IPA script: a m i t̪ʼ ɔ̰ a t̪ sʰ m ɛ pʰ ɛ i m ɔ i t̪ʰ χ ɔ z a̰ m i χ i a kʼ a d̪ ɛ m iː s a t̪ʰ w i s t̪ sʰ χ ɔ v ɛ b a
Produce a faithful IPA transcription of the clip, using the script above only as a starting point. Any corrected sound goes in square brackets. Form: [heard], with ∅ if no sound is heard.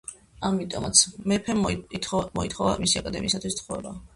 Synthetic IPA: a m i t̪ʼ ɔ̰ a t̪ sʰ m ɛ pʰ ɛ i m ɔ i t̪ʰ χ ɔ [v] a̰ m i [s] i a kʼ a d̪ ɛ m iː s a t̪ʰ w i s t̪ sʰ χ ɔ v ɛ b a